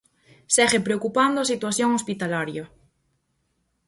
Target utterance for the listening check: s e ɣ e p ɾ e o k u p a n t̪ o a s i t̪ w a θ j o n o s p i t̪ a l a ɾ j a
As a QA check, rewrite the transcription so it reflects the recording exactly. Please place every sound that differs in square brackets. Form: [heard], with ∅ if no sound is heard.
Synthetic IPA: s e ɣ e p ɾ e o k u p a n [d̪] o a s i t̪ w a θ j o [ŋ] o s p i t̪ a l a ɾ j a